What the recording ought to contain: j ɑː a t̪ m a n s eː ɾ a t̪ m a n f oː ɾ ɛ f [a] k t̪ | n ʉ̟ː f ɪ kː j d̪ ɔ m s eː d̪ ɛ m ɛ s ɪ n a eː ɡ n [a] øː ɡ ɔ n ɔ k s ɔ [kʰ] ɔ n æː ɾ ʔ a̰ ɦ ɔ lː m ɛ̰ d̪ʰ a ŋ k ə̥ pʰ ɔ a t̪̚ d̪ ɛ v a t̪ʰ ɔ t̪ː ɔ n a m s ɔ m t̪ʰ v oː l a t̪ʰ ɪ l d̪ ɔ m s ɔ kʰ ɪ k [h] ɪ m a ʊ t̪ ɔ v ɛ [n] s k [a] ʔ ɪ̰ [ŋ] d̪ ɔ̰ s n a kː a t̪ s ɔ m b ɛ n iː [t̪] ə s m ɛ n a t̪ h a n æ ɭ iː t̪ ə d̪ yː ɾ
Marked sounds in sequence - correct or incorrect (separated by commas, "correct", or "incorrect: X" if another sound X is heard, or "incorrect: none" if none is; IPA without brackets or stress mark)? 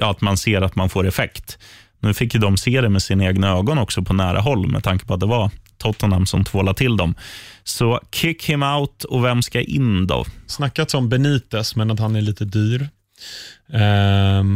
incorrect: ɛ, correct, incorrect: pʰ, correct, incorrect: m, correct, incorrect: n, correct